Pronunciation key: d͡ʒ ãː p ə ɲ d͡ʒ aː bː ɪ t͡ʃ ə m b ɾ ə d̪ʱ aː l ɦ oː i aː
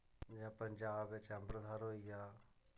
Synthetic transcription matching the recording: d͡ʒ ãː p ə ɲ d͡ʒ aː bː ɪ t͡ʃ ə m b ɾ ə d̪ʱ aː ɾ ɦ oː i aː